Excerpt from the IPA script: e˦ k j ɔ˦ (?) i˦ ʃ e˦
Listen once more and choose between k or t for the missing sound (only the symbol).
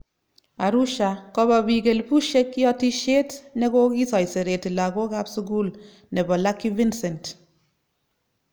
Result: t